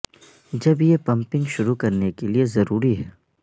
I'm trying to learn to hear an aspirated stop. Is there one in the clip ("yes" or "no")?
no